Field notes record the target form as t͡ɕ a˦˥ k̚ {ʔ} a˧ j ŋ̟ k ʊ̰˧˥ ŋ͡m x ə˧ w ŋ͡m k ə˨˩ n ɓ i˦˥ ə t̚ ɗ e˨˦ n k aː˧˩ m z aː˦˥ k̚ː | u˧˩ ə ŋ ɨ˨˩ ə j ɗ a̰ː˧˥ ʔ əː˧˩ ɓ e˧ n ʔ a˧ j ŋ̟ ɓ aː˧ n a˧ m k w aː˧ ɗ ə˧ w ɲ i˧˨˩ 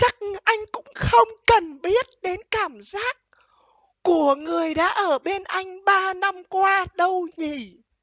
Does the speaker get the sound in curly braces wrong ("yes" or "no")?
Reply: no